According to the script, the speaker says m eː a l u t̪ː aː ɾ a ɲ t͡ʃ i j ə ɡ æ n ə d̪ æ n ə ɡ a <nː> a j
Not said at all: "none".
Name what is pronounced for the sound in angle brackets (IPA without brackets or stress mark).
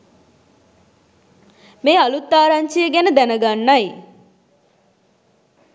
nː